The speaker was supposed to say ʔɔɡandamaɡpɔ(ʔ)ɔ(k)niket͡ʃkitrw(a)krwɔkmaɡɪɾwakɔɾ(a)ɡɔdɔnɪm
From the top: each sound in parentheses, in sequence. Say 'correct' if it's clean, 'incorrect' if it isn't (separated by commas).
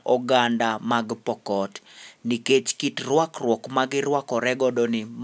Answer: incorrect, incorrect, correct, incorrect